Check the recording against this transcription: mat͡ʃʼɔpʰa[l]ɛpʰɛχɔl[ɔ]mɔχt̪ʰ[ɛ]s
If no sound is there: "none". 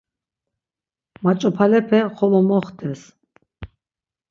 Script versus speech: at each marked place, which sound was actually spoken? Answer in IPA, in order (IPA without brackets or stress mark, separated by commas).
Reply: l, ɔ, ɛ